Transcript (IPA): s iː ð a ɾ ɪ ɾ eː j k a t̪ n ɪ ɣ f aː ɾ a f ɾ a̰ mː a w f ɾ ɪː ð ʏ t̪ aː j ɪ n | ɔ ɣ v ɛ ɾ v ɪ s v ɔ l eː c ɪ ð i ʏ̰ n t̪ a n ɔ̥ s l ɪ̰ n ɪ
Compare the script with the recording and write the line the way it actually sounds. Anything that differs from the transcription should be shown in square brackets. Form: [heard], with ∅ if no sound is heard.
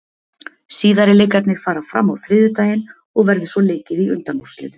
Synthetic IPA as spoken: s iː ð a ɾ ɪ [l] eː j k a t̪ n ɪ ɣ f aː ɾ a f ɾ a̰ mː a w f ɾ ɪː ð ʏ t̪ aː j ɪ n | ɔ ɣ v ɛ ɾ [ð] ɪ s v ɔ l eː c ɪ ð i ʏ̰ n t̪ a n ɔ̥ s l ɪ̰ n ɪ